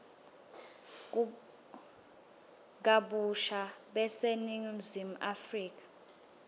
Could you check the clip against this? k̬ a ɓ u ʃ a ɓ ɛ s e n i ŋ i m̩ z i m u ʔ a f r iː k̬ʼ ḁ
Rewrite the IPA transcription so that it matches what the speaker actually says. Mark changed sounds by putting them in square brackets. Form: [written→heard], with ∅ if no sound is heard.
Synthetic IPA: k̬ a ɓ u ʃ a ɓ ɛ s e n i ŋ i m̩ z i m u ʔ a f r iː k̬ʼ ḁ